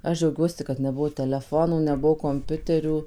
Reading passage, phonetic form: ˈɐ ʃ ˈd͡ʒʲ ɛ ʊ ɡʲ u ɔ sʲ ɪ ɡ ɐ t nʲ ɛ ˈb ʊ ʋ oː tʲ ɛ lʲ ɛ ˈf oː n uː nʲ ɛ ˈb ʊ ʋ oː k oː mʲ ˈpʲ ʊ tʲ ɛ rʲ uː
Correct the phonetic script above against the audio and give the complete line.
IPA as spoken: ˈɐ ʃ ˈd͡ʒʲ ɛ ʊ ɡʲ u ɔ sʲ ɪ k ɐ t nʲ ɛ ˈb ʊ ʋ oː tʲ ɛ lʲ ɛ ˈf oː n uː nʲ ɛ ˈb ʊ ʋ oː k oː mʲ ˈpʲ ʊ tʲ ɛ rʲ uː